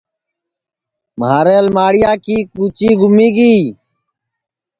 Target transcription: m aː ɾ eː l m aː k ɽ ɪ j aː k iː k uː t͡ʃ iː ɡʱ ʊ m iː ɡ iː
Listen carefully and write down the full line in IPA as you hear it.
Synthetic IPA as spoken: m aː ɾ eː l m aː ɽ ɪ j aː k iː k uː t͡ʃ iː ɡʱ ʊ m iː ɡ iː